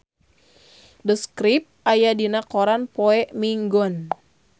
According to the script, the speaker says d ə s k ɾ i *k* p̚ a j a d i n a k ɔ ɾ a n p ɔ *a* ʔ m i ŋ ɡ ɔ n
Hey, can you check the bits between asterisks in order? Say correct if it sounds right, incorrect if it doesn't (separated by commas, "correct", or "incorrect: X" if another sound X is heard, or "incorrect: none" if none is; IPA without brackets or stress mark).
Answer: incorrect: none, incorrect: ɛ